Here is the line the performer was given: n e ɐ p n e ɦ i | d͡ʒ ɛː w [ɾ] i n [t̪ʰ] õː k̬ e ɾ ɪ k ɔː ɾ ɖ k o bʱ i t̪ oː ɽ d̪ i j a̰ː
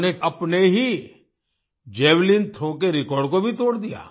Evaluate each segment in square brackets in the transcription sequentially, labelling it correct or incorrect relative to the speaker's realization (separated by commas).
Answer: incorrect, correct